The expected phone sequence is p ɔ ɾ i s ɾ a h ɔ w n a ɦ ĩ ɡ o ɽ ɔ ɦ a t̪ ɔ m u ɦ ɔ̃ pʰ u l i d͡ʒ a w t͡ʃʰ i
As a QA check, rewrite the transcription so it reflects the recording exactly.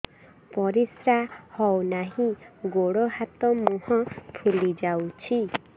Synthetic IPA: p ɔ ɾ i s ɾ a h ɔ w n a ɦ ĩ ɡ o ɽ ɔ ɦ a t̪ ɔ m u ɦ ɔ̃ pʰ u l i d͡ʒ a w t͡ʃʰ i